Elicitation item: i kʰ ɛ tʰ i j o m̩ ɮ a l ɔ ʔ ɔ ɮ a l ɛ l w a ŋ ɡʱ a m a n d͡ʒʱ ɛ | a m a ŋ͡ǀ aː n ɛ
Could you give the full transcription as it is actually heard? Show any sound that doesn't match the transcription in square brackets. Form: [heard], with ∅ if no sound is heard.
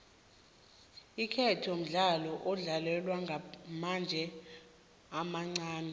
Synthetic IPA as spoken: i kʰ ɛ tʰ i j o m̩ ɮ a l ɔ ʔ ɔ ɮ a l ɛ l w a ŋ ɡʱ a m a n d͡ʒʱ ɛ | a m a ŋ͡ǀ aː n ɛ